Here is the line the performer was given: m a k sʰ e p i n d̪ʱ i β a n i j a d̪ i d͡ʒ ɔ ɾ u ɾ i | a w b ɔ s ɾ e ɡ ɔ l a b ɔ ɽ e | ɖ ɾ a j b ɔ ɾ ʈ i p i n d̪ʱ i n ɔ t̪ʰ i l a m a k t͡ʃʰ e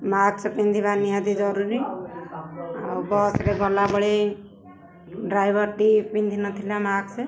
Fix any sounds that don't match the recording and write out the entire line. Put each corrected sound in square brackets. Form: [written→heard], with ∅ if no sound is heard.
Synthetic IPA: m a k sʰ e p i n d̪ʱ i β a n i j a d̪ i d͡ʒ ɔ ɾ u ɾ i | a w b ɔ s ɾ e ɡ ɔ l a b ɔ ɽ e | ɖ ɾ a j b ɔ ɾ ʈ i p i n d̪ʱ i n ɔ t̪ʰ i l a m a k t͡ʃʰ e